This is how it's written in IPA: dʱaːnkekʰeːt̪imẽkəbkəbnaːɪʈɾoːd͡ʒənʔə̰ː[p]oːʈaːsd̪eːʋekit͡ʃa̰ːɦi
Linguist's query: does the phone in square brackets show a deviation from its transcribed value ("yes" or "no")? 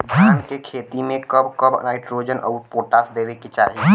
no